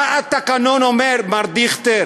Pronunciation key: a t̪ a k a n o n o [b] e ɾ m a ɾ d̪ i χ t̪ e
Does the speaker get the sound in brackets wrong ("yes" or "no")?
yes